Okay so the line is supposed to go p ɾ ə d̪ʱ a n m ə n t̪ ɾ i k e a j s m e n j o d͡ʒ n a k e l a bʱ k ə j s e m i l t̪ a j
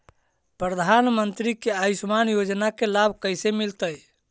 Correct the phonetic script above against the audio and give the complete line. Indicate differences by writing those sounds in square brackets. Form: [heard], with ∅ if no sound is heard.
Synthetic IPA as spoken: p ɾ ə d̪ʱ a n m ə n t̪ ɾ i k e a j s m [a] n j o d͡ʒ n a k e l a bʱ k ə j s e m i l t̪ [ə] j